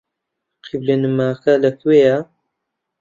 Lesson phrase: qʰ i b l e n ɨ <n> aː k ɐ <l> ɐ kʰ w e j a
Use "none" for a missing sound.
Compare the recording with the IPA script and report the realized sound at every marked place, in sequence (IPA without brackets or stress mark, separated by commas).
m, l